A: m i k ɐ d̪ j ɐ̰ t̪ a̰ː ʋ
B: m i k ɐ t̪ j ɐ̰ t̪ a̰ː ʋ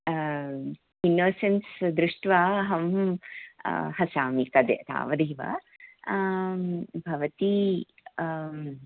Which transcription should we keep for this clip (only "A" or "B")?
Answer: A